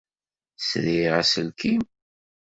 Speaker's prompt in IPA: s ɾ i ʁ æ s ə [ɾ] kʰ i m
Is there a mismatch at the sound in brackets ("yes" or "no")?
yes